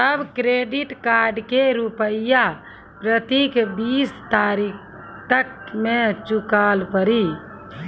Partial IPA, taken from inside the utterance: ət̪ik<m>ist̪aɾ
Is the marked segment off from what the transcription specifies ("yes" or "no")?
yes